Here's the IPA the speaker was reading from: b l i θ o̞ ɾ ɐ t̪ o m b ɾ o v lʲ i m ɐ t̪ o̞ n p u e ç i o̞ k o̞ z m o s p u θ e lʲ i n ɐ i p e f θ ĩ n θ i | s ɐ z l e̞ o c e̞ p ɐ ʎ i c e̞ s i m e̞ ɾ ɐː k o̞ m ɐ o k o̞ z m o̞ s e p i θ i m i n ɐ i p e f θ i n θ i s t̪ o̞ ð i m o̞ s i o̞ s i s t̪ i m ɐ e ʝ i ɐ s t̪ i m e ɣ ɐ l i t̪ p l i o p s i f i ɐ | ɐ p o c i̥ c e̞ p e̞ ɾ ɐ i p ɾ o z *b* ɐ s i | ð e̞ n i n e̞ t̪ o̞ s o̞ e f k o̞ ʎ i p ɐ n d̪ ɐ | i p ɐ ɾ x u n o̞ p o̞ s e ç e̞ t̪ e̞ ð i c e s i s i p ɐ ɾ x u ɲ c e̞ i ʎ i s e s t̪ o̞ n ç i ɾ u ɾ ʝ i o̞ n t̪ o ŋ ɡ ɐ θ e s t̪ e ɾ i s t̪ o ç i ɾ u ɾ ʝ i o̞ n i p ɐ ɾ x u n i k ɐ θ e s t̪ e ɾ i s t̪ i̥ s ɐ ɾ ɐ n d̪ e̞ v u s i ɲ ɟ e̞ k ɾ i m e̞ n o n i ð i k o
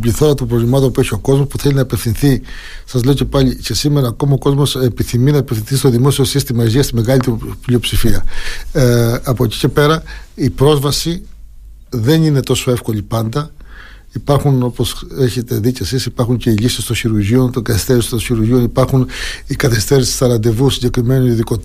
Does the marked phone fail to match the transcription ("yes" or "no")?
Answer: yes